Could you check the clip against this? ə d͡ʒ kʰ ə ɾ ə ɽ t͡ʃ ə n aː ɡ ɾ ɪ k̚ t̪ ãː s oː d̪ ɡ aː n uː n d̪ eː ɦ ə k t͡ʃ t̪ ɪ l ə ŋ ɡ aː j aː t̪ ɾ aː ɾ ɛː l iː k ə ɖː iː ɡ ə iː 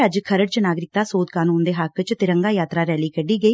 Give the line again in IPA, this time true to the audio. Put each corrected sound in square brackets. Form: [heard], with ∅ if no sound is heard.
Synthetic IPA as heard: ə d͡ʒ kʰ ə ɾ ə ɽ t͡ʃ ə n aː ɡ ɾ ɪ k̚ t̪ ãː s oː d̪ [k] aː n uː n d̪ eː ɦ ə k t͡ʃ t̪ ɪ [ɾ] ə ŋ ɡ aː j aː t̪ ɾ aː ɾ ɛː l iː k ə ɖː iː ɡ ə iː

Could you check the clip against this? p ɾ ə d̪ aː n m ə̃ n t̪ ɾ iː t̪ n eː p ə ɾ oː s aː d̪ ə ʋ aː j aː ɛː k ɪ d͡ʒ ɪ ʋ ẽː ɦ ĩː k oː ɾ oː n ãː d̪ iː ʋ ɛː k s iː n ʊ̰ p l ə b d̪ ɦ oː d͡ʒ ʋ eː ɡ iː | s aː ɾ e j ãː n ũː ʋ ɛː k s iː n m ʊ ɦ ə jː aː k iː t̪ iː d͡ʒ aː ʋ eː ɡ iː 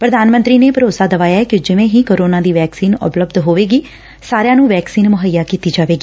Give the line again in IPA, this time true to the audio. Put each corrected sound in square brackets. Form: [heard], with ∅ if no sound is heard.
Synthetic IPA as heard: p ɾ ə d̪ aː n m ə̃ n t̪ ɾ iː [∅] n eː p ə ɾ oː s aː d̪ ə ʋ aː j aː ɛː k ɪ d͡ʒ ɪ ʋ ẽː ɦ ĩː k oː ɾ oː n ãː d̪ iː ʋ ɛː k s iː n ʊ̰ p l ə b d̪ ɦ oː [∅] ʋ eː ɡ iː | s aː ɾ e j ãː n ũː ʋ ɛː k s iː n m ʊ ɦ ə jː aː k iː t̪ iː d͡ʒ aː ʋ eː ɡ iː

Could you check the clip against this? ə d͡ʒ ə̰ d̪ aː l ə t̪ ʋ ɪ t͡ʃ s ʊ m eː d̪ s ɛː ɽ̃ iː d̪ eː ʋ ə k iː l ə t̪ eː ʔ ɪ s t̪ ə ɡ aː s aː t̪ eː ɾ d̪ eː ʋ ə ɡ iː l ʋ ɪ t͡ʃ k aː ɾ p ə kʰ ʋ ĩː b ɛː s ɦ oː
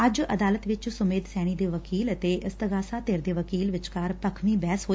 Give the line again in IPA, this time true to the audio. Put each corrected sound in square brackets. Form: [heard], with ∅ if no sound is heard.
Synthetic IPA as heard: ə d͡ʒ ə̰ d̪ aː l ə t̪ ʋ ɪ t͡ʃ s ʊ m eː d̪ s ɛː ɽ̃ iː d̪ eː ʋ ə k iː l ə t̪ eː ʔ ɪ s t̪ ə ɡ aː s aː t̪ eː ɾ d̪ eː ʋ ə [k] iː l ʋ ɪ t͡ʃ k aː ɾ p ə kʰ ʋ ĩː b ɛː s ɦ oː

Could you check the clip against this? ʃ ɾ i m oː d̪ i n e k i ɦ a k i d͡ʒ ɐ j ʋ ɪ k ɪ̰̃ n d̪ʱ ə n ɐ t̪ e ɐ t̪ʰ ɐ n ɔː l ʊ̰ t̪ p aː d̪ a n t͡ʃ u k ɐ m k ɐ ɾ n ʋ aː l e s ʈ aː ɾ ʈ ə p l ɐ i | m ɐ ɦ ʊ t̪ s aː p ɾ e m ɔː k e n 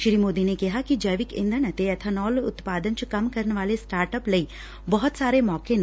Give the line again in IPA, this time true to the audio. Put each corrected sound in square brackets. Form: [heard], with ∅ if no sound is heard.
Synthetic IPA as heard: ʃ ɾ i m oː d̪ i n e k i ɦ a k i d͡ʒ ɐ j ʋ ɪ k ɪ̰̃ n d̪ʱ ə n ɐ t̪ e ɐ t̪ʰ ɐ n ɔː l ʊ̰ t̪ p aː d̪ [ə] n t͡ʃ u k ɐ m k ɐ ɾ n ʋ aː l e s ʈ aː ɾ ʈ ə p l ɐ i | [b] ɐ ɦ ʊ t̪ s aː [∅] ɾ e m ɔː k e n

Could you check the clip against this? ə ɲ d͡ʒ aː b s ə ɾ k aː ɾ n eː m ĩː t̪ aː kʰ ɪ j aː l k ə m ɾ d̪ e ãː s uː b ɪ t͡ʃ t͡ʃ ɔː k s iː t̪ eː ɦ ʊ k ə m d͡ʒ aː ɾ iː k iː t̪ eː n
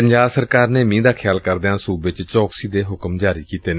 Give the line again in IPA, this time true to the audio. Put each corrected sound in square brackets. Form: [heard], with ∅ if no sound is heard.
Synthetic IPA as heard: ə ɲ d͡ʒ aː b s ə ɾ k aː ɾ n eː m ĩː [d̪] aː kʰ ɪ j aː l k ə [∅] ɾ d̪ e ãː s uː b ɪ t͡ʃ t͡ʃ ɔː k s iː [d̪] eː ɦ ʊ k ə m d͡ʒ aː ɾ iː k iː t̪ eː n

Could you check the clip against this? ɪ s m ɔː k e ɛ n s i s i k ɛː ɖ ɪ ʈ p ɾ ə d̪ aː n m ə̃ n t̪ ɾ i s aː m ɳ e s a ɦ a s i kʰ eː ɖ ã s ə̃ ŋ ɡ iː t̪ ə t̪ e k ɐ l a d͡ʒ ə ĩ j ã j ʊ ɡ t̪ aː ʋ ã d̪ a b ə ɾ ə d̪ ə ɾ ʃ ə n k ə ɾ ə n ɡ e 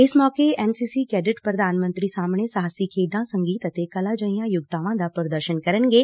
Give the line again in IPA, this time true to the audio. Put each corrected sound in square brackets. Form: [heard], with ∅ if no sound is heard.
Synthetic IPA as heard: ɪ s m ɔː k e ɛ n s i s i k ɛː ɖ ɪ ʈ p ɾ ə d̪ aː n m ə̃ n t̪ ɾ i s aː m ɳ e s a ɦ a s i kʰ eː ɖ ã s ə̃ ŋ ɡ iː t̪ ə t̪ e k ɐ l a d͡ʒ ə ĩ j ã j ʊ ɡ t̪ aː ʋ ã d̪ a [p] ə ɾ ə d̪ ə ɾ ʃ ə n k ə ɾ ə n ɡ e

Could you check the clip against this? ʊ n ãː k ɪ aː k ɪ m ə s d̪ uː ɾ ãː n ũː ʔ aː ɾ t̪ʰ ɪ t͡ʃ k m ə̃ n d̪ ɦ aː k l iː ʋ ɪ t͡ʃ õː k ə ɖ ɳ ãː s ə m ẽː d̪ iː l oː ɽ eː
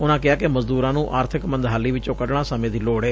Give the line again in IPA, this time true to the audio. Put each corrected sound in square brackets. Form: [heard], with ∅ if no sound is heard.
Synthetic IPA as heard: ʊ n ãː k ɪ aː k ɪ m ə [z] d̪ uː ɾ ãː n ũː ʔ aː ɾ t̪ʰ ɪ [∅] k m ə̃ n d̪ ɦ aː [∅] l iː ʋ ɪ t͡ʃ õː k ə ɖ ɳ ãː s ə m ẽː d̪ iː l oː ɽ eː

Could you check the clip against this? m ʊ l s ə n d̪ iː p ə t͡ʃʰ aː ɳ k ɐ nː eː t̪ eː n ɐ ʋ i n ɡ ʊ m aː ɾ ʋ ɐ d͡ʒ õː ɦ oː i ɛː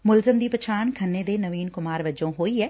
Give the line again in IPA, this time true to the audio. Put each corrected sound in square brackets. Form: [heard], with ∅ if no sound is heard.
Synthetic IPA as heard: m ʊ l [z] ə [m] d̪ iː p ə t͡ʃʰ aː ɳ [kʰ] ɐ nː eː [d̪] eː n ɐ ʋ [iː] n [k] ʊ m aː ɾ ʋ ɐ d͡ʒ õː ɦ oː i ɛː

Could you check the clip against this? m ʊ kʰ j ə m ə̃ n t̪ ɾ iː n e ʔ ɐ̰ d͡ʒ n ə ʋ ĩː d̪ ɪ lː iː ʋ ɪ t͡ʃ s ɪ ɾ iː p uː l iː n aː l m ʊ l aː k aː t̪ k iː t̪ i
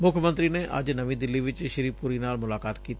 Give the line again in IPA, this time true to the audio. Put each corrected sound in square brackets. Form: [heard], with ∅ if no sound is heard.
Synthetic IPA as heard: m ʊ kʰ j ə m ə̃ n t̪ ɾ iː n e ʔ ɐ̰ d͡ʒ n ə ʋ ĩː d̪ ɪ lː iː ʋ ɪ t͡ʃ [ʃ] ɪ ɾ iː p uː [ɾ] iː n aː l m ʊ l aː k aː t̪ k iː t̪ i

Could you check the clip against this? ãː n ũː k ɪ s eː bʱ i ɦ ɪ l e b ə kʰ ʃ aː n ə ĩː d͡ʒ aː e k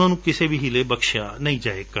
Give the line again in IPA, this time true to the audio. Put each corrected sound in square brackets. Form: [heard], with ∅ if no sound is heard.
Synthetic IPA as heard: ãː n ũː k ɪ s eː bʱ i ɦ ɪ l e b ə [k] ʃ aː n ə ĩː d͡ʒ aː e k

